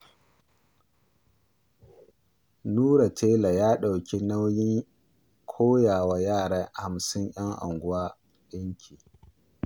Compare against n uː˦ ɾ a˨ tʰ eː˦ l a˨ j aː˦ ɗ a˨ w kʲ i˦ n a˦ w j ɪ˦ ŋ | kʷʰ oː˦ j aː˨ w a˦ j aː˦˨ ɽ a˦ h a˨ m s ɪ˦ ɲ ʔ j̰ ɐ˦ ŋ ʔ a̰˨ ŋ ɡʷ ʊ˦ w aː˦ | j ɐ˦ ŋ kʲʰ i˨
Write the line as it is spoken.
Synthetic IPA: n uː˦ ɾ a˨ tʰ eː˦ l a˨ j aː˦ ɗ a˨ w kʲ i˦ n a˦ w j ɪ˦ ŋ | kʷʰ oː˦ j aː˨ w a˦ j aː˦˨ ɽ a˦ h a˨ m s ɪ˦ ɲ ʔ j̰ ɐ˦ ŋ ʔ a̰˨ ŋ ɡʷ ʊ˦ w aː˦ | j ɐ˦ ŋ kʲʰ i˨

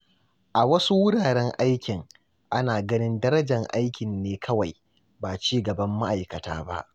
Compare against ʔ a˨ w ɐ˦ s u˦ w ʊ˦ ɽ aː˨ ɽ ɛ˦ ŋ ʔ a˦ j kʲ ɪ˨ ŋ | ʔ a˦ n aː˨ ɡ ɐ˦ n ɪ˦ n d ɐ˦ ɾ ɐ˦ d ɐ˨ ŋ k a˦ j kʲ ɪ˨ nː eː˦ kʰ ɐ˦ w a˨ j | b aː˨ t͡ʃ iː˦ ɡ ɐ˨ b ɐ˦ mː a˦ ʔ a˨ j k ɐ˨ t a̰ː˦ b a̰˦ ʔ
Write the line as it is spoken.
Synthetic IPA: ʔ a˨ w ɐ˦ s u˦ w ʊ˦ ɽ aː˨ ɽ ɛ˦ ŋ ʔ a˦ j kʲ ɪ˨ ŋ | ʔ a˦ n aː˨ ɡ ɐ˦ n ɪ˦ n d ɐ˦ ɾ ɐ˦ d͡ʒ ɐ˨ ŋ ʔ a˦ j kʲ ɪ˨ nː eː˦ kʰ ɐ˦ w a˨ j | b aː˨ t͡ʃ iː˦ ɡ ɐ˨ b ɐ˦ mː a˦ ʔ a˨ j k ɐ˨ t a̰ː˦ b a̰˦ ʔ

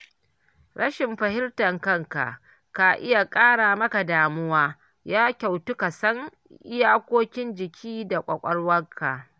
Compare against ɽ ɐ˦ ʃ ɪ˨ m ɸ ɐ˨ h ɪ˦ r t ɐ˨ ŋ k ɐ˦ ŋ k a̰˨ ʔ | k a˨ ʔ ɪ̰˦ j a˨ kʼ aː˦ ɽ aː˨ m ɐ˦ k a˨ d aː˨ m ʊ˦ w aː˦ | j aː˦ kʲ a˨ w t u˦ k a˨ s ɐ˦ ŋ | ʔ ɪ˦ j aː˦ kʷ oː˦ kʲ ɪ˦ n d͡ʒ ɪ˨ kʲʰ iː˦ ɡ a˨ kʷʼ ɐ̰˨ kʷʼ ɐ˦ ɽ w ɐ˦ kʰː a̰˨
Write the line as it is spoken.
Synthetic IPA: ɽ ɐ˦ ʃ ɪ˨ m ɸ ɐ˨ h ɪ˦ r t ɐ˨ ŋ k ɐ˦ ŋ k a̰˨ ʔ | k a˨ ʔ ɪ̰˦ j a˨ kʼ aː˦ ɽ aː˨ m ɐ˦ k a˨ d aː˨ m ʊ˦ w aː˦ | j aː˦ kʲ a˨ w t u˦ k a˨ s ɐ˦ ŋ | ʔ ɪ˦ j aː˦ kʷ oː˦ kʲ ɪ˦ n d͡ʒ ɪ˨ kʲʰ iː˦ d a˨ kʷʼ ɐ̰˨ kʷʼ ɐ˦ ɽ w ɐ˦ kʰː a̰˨

